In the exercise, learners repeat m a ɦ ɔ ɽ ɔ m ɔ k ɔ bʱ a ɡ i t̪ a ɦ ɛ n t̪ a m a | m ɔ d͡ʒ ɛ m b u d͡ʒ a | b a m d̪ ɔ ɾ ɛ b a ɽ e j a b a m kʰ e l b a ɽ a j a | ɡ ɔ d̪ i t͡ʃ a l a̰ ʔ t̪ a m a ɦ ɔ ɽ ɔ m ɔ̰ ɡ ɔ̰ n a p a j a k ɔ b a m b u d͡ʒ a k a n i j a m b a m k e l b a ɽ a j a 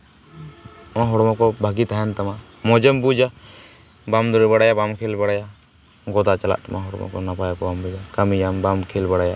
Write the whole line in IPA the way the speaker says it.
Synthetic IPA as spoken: m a ɦ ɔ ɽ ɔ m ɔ k ɔ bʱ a ɡ i t̪ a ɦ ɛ n t̪ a m a | m ɔ d͡ʒ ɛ m b u d͡ʒ a | b a m d̪ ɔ ɾ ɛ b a ɽ a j a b a m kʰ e l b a ɽ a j a | ɡ ɔ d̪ a t͡ʃ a l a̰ ʔ t̪ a m a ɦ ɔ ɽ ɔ m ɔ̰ k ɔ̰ n a p a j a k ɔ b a m b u d͡ʒ a k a m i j a m b a m kʰ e l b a ɽ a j a